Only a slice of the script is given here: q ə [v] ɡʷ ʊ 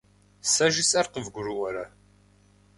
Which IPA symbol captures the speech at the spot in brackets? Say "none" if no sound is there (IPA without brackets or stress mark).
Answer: v